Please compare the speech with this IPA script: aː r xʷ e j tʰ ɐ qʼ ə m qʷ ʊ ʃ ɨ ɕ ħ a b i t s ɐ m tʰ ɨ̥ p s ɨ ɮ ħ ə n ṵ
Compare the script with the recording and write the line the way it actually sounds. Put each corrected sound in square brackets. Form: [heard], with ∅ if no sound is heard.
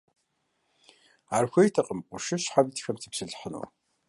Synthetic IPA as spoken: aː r xʷ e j tʰ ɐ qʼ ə m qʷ ʊ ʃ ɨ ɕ ħ a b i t [x] ɐ m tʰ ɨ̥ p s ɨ ɮ ħ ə n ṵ